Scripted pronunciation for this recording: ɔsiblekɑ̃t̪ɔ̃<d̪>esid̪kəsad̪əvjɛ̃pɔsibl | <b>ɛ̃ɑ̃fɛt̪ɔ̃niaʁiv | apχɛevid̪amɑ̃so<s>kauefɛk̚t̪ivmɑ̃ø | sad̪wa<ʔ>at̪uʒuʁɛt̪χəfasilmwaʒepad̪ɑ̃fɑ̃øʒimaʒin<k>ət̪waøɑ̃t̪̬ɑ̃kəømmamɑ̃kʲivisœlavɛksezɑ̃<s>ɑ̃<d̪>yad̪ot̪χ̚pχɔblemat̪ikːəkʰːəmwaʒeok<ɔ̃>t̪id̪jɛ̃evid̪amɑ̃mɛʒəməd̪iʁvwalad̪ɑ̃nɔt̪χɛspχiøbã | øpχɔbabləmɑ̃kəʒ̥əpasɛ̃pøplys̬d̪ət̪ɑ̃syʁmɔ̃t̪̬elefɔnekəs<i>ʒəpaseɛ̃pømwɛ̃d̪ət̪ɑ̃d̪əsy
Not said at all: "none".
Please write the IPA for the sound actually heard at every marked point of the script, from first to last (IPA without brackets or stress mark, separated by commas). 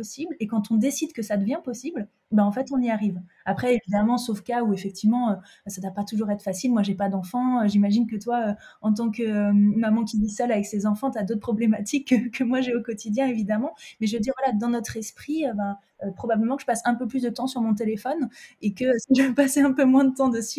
d̪, b, f, p, k, f, t̪, ɔ, i